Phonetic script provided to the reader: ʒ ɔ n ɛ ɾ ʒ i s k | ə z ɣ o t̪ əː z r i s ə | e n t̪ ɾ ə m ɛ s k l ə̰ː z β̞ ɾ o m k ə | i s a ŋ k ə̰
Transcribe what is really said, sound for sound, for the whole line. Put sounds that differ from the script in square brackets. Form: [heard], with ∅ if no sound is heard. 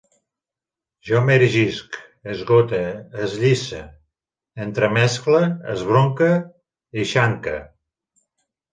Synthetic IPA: ʒ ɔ [m] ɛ ɾ ʒ i s k | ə z ɣ o t̪ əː z [ʎ] i s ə | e n t̪ ɾ ə m ɛ s k l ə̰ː z β̞ ɾ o [ŋ] k ə | i [ʃ] a ŋ k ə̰